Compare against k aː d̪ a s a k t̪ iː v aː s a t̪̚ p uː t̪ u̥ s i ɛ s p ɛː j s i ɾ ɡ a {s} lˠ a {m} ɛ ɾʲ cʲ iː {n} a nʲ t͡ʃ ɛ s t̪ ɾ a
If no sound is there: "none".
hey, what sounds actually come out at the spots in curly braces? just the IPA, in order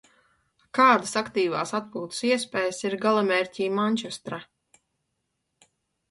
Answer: none, m, m

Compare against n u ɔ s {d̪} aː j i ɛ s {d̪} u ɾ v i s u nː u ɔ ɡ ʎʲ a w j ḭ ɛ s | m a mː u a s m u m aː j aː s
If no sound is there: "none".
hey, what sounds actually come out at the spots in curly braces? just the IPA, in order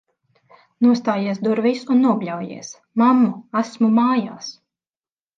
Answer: t̪, d̪

